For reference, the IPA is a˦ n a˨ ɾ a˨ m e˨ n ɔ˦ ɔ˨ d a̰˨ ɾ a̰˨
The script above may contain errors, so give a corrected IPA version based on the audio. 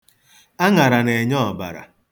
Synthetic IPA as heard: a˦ ŋ a˨ ɾ a˨ n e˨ ɲ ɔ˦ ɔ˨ b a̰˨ ɾ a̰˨